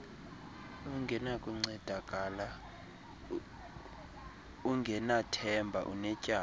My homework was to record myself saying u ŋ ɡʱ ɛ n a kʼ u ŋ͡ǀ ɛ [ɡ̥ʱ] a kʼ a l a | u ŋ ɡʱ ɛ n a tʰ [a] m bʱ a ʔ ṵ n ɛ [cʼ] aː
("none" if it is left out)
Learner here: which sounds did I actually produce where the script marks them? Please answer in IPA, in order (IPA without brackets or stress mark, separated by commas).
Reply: d̥ʱ, ɛ, cʼ